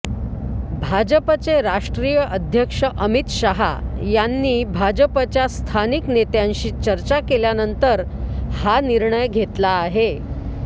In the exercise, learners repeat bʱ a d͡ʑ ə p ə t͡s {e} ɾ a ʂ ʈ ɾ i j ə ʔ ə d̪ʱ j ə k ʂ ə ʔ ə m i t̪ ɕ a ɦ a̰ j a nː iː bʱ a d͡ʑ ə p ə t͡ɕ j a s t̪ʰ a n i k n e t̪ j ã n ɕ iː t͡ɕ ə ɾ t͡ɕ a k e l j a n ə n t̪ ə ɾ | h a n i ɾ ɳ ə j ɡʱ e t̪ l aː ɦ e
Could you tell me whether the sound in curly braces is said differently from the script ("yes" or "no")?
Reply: no